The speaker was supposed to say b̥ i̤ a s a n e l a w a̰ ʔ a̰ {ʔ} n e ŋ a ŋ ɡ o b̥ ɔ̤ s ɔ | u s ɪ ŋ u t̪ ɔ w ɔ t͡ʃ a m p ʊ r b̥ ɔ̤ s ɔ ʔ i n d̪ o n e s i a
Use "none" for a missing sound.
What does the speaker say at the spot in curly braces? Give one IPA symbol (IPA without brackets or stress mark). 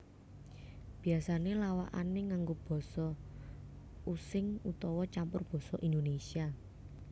none